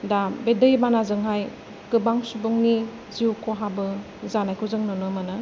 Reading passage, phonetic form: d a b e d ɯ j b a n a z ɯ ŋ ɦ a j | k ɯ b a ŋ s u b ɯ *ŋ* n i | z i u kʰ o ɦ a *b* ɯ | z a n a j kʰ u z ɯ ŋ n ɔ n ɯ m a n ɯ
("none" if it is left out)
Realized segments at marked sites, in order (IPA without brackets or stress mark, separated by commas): ŋ, b